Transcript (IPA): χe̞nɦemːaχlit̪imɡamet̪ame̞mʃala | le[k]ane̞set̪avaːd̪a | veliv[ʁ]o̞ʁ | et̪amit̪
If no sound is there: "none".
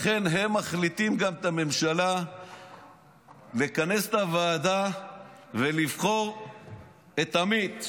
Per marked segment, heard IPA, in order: k, χ

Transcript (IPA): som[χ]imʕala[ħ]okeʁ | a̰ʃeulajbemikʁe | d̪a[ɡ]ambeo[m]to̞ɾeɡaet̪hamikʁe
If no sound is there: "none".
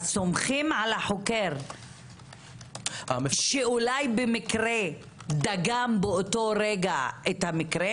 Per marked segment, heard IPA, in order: χ, ħ, ɡ, none

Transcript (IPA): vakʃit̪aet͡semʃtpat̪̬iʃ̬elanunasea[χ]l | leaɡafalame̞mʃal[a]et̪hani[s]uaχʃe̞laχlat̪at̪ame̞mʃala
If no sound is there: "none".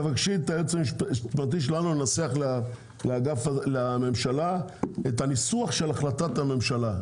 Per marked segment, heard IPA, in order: χ, a, s

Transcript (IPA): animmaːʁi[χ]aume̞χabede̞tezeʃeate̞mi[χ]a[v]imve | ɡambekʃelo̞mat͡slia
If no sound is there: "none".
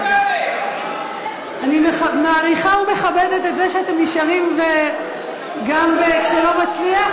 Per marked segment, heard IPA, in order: χ, ʃ, ʁ

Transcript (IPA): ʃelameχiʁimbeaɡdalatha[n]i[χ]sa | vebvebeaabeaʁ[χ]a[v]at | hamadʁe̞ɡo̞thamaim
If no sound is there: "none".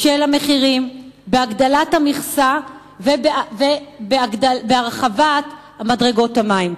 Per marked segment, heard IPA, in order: m, χ, χ, v

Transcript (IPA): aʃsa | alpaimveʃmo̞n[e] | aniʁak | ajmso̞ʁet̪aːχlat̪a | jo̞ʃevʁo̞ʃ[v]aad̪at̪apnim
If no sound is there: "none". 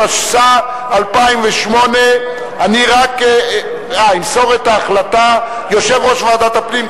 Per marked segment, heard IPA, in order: e, v

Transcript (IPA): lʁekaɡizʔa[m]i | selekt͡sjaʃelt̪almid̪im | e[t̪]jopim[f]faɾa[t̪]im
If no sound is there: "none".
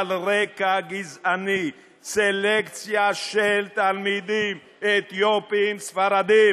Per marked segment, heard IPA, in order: n, t̪, s, d̪

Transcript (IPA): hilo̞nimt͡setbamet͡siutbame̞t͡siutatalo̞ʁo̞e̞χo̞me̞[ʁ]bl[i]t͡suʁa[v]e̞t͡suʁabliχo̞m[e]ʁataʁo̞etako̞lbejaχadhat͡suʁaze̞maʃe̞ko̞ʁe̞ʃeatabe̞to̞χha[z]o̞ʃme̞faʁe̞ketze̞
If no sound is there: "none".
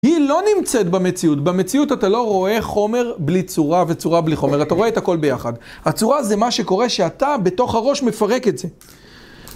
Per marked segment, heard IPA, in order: ʁ, i, v, e, ʁ

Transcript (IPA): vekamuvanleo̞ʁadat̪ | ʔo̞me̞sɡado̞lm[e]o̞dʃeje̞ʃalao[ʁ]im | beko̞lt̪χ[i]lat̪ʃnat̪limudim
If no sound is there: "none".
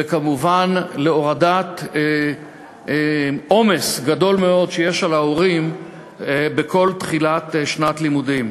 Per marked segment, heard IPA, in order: e, ʁ, i

